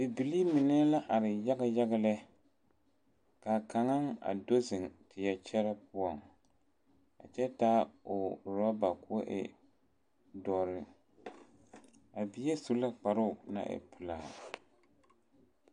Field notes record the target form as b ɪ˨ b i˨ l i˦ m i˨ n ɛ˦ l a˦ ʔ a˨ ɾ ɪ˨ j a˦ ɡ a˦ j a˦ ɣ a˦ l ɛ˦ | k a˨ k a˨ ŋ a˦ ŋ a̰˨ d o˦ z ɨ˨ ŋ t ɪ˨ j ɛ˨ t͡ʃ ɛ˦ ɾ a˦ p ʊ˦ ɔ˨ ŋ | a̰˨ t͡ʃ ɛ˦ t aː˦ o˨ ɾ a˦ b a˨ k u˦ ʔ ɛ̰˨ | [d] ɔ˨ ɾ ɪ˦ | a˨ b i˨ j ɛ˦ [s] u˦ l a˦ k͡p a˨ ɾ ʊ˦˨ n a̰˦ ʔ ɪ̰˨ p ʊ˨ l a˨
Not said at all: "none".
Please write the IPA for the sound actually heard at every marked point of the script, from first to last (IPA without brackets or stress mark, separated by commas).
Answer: d, s